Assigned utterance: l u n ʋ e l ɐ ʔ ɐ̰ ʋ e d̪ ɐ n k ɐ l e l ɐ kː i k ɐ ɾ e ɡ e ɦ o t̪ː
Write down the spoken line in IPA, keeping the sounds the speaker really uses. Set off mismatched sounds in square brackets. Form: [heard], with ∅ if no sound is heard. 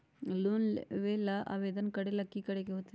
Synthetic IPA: l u n ʋ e l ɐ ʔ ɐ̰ ʋ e d̪ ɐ n k ɐ [ɽ] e l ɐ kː i k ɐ [ɽ] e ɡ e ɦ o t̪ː